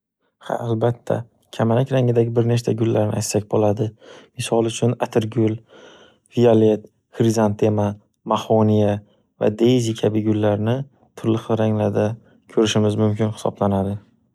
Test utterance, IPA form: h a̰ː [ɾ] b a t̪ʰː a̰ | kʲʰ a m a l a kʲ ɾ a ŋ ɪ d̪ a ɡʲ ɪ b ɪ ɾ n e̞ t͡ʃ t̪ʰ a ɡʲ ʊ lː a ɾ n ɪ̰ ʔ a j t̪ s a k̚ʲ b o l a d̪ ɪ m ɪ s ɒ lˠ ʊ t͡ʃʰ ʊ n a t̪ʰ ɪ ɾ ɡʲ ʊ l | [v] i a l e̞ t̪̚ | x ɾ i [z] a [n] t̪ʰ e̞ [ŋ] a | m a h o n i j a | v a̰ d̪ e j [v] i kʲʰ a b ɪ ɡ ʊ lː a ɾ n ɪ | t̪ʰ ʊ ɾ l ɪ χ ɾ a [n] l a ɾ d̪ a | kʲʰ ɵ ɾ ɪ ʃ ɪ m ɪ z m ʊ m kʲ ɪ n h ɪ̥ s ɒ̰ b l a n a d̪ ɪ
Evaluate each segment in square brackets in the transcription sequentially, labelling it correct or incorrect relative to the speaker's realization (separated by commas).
incorrect, correct, correct, correct, incorrect, incorrect, incorrect